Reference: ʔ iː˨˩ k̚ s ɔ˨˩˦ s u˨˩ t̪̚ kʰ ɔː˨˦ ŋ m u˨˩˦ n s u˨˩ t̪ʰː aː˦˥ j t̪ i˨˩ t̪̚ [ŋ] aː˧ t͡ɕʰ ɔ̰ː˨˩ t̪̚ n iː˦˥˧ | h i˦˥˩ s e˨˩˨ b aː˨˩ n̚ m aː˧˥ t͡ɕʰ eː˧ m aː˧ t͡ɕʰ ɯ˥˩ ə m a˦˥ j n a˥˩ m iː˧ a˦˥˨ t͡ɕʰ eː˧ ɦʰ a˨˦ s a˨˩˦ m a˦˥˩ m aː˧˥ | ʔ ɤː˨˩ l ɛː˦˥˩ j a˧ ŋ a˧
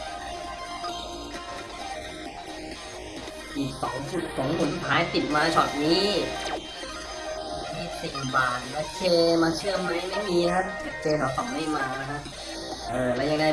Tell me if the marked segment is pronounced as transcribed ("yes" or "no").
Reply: no